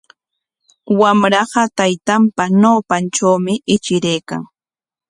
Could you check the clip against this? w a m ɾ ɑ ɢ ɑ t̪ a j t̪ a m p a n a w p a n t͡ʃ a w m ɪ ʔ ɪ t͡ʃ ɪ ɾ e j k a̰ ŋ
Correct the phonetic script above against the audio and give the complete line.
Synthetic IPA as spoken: w a m ɾ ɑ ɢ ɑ t̪ a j t̪ a m p a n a w p a n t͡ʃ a w m ɪ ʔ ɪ t͡ʃ ɪ ɾ e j k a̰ ŋ